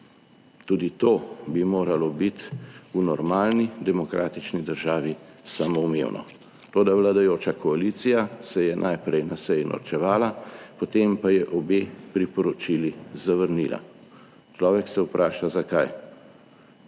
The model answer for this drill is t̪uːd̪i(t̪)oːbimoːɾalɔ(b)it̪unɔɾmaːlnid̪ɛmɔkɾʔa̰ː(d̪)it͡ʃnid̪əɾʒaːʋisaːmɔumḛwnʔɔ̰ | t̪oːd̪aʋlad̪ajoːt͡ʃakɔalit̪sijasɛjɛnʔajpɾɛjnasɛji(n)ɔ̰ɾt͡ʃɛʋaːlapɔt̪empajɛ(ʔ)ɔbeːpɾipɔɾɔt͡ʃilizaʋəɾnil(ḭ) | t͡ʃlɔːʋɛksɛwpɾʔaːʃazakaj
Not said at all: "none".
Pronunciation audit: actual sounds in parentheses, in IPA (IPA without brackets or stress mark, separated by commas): t̪, b, t̪, n, ʔ, a̰